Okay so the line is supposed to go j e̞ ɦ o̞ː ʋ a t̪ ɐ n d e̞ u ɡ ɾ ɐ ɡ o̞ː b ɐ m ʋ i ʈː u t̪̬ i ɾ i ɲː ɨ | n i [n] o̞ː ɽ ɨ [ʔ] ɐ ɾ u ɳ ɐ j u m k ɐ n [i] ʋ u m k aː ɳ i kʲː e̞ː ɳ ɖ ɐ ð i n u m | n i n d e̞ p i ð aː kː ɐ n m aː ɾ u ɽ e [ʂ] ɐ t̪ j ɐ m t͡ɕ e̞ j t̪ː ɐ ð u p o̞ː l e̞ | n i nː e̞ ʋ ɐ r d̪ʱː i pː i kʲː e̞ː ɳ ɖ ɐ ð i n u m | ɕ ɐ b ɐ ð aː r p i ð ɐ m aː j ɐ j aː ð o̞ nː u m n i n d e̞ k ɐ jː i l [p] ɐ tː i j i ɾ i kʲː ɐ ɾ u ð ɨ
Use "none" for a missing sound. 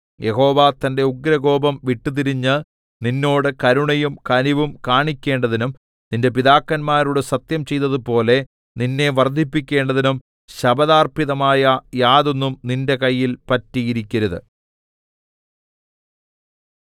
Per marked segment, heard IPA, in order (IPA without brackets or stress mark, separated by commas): nː, k, i, s, p